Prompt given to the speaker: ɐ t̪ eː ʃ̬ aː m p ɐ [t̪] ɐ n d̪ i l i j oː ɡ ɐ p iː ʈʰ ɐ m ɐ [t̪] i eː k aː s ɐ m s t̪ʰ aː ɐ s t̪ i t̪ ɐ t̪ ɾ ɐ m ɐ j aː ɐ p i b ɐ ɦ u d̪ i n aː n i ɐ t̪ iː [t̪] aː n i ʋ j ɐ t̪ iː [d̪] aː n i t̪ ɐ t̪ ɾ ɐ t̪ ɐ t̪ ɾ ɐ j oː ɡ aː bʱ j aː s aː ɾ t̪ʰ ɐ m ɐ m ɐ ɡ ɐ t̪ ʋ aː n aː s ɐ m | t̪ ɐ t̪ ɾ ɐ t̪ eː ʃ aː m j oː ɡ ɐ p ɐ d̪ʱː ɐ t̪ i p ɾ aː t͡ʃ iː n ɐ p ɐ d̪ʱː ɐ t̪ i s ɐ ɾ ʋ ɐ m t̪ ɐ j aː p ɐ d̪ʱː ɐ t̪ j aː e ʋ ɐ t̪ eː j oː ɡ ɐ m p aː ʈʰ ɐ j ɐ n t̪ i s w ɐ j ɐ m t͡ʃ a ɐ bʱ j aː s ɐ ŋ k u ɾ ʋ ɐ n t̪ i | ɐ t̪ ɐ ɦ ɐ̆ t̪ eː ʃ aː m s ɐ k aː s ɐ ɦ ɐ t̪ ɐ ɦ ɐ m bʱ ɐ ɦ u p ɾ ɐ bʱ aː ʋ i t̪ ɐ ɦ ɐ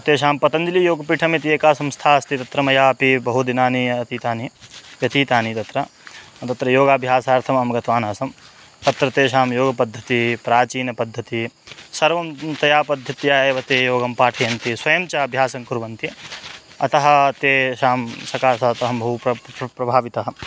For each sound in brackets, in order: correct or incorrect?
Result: correct, correct, correct, incorrect: t̪

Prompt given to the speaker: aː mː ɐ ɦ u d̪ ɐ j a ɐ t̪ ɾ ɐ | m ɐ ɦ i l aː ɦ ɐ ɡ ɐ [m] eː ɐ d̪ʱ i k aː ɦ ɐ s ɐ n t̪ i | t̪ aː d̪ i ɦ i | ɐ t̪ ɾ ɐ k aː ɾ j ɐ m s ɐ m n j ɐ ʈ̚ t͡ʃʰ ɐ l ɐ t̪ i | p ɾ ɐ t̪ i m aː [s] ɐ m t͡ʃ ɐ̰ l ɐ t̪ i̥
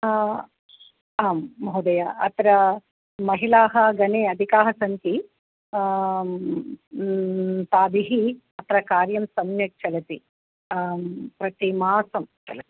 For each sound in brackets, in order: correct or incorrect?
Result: incorrect: n, correct

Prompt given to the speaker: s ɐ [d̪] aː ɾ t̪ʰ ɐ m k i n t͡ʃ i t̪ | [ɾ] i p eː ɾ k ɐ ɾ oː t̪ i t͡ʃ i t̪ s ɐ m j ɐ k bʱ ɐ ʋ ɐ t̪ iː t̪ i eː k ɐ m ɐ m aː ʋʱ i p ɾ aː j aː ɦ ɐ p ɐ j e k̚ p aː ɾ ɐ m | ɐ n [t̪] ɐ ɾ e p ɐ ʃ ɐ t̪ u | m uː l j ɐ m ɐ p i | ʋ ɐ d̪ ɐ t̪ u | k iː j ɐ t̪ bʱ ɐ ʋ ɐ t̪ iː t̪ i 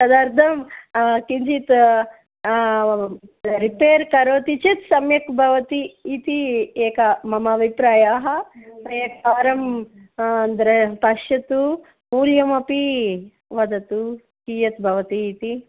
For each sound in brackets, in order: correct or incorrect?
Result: correct, correct, incorrect: d̪

